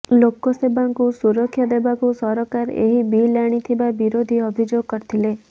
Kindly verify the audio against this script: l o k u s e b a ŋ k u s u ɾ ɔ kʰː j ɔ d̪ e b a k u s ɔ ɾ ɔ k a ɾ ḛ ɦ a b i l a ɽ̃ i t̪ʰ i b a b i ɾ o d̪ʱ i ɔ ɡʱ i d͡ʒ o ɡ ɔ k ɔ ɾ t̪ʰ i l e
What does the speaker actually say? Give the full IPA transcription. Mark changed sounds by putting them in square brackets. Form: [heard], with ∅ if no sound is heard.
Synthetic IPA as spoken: l o k [ɔ] s e b a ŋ k u s u ɾ ɔ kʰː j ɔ d̪ e b a k u s ɔ ɾ ɔ k a ɾ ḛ ɦ [i] b i l a ɽ̃ i t̪ʰ i b a b i ɾ o d̪ʱ i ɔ [bʱ] i d͡ʒ o ɡ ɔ k ɔ ɾ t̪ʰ i l e

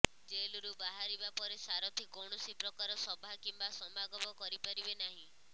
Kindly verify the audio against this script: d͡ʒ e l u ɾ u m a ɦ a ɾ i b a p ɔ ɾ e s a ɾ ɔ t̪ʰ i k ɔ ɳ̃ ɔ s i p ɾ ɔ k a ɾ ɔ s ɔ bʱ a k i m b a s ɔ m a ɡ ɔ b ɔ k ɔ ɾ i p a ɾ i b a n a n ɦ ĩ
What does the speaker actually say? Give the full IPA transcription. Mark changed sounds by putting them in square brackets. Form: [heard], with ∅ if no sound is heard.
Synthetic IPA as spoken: d͡ʒ e l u ɾ u [b] a ɦ a ɾ i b a p ɔ ɾ e s a ɾ ɔ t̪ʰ i k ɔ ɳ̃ ɔ s i p ɾ ɔ k a ɾ ɔ s ɔ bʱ a k i m b a s ɔ m a ɡ ɔ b ɔ k ɔ ɾ i p a ɾ i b [e] n a [∅] ɦ ĩ

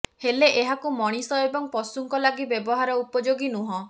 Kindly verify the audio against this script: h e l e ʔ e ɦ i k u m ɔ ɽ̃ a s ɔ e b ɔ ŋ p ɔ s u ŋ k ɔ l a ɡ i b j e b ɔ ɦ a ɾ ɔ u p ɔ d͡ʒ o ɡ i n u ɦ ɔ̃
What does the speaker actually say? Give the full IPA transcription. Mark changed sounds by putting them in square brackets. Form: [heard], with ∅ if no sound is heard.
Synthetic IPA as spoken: h e l e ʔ e ɦ [a] k u m ɔ ɽ̃ [i] s ɔ e b ɔ ŋ p ɔ s u ŋ k ɔ l a ɡ i b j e b ɔ ɦ a ɾ ɔ u p ɔ d͡ʒ o ɡ i n u ɦ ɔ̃

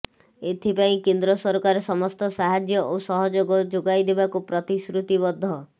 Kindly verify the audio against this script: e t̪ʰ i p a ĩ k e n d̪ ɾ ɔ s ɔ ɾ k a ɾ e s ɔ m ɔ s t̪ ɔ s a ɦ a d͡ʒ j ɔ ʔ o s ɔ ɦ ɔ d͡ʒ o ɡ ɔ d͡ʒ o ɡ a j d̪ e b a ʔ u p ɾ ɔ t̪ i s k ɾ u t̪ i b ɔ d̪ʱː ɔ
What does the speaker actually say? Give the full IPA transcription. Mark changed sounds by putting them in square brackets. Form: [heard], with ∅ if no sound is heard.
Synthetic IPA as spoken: e t̪ʰ i p a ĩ k e n d̪ ɾ ɔ s ɔ ɾ k a ɾ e s ɔ m ɔ s t̪ ɔ s a ɦ a d͡ʒ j ɔ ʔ o s ɔ ɦ ɔ d͡ʒ o ɡ ɔ d͡ʒ o ɡ a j d̪ e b a [k] u p ɾ ɔ t̪ i s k ɾ u t̪ i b ɔ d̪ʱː ɔ

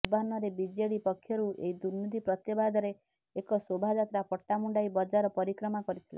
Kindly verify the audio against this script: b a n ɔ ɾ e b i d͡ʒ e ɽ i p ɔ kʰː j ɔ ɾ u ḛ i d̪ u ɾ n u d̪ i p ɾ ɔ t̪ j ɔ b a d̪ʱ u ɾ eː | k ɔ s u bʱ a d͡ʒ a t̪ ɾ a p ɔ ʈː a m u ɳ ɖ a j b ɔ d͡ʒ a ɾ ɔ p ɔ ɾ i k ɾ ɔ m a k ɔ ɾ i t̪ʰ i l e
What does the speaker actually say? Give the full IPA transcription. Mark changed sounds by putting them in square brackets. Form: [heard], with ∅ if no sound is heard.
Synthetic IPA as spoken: b a n ɔ ɾ e b i d͡ʒ e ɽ i p ɔ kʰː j ɔ ɾ u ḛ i d̪ u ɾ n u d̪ i p ɾ ɔ t̪ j ɔ b a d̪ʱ [ɔ] ɾ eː | k ɔ s [o] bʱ a d͡ʒ a t̪ ɾ a p ɔ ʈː a m u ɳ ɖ a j b ɔ d͡ʒ a ɾ ɔ p ɔ ɾ i k ɾ ɔ m a k ɔ ɾ i t̪ʰ i l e

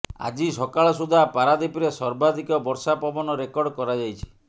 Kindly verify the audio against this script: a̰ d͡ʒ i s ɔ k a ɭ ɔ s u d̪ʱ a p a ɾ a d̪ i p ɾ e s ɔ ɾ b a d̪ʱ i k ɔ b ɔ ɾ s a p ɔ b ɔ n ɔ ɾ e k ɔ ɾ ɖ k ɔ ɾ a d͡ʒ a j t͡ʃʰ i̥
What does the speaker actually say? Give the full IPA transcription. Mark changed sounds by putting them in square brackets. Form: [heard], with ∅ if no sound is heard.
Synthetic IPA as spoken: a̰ d͡ʒ i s ɔ k a ɭ ɔ s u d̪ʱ a p a ɾ a d̪ i p ɾ e s ɔ ɾ b a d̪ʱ i k ɔ b ɔ ɾ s a p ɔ b ɔ n ɔ ɾ e k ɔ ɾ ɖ k ɔ ɾ a d͡ʒ a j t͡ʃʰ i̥

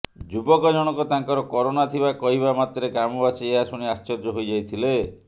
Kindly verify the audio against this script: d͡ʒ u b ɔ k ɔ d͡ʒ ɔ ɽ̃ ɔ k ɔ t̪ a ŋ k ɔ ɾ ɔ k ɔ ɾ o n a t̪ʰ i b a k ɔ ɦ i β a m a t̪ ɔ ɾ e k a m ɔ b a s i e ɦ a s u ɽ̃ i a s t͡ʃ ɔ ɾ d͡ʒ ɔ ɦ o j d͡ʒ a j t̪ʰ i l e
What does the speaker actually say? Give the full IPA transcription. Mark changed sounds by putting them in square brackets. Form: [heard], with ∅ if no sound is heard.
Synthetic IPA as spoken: d͡ʒ u b ɔ k ɔ d͡ʒ ɔ ɽ̃ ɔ k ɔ t̪ a ŋ k ɔ ɾ ɔ k ɔ ɾ o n a t̪ʰ i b a k ɔ ɦ i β a m a t̪ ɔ ɾ e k a m ɔ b a s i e ɦ a s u ɽ̃ i a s t͡ʃ ɔ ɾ d͡ʒ ɔ ɦ o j d͡ʒ a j t̪ʰ i l e

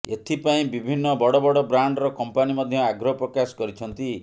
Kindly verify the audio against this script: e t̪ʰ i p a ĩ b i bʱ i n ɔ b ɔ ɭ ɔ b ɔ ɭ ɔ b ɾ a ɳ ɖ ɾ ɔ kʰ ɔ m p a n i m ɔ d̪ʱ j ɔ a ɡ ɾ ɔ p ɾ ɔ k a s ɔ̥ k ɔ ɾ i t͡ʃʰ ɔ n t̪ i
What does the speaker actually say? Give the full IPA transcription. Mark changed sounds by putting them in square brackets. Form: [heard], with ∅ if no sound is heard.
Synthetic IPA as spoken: e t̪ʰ i p a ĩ b i bʱ i [nː] ɔ b ɔ [ɽ] ɔ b ɔ [ɽ] ɔ b ɾ a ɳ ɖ ɾ ɔ [k] ɔ m p a n i m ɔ d̪ʱ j ɔ a ɡ ɾ ɔ p ɾ ɔ k a s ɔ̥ k ɔ ɾ i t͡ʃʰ ɔ n t̪ i

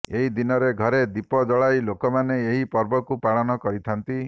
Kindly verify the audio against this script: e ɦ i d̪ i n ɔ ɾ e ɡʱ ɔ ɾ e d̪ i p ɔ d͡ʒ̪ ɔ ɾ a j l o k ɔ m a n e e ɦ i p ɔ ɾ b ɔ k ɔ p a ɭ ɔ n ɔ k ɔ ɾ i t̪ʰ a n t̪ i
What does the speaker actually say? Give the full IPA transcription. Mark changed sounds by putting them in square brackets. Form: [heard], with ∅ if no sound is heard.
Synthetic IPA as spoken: e ɦ i d̪ i n ɔ ɾ e ɡʱ ɔ ɾ e d̪ i p ɔ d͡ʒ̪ ɔ [ɭ] a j l o k ɔ m a n e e ɦ i p ɔ ɾ b ɔ k [u] p a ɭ ɔ n ɔ k ɔ ɾ i t̪ʰ a n t̪ i

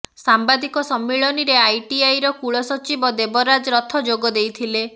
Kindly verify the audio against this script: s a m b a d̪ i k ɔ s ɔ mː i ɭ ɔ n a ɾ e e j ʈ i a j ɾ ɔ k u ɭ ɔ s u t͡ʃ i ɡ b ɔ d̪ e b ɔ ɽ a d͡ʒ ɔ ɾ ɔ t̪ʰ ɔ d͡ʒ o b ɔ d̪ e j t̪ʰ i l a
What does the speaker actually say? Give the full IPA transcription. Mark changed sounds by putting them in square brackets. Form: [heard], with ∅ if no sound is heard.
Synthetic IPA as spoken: s a m b a d̪ i k ɔ s ɔ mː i ɭ ɔ n [i] ɾ e [a] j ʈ i a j ɾ ɔ k u ɭ ɔ s [ɔ] t͡ʃ i [∅] b ɔ d̪ e b ɔ [ɾ] a d͡ʒ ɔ ɾ ɔ t̪ʰ ɔ d͡ʒ o [ɡ] ɔ d̪ e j t̪ʰ i l [e]

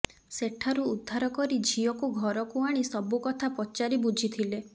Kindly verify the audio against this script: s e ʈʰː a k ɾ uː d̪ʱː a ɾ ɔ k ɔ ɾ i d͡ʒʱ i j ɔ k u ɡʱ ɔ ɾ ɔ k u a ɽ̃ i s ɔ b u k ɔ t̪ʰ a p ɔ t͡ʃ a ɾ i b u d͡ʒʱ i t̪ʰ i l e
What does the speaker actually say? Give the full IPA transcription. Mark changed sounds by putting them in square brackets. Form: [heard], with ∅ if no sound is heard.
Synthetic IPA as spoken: s e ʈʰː a [∅] ɾ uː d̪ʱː a ɾ ɔ k ɔ ɾ i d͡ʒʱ i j ɔ k u ɡʱ ɔ ɾ ɔ k u a ɽ̃ i s ɔ b u k ɔ t̪ʰ a p ɔ t͡ʃ a ɾ i b u d͡ʒʱ i t̪ʰ i l e

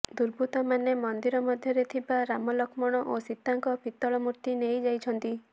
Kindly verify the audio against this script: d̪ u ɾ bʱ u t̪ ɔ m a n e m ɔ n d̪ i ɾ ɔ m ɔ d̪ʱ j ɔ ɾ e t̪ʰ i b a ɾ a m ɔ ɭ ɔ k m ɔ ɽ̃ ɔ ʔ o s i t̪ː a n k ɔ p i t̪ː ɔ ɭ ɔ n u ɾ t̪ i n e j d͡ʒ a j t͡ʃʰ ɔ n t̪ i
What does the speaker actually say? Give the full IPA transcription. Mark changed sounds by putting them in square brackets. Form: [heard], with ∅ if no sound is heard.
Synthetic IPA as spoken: d̪ u ɾ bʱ u t̪ ɔ m a n e m ɔ n d̪ i ɾ ɔ m ɔ d̪ʱ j ɔ ɾ e t̪ʰ i b a ɾ a m ɔ [l] ɔ k m ɔ ɽ̃ ɔ ʔ o s i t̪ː a [ŋ] k ɔ p i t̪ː ɔ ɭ ɔ [m] u ɾ t̪ i n e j d͡ʒ a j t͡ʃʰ ɔ n t̪ i

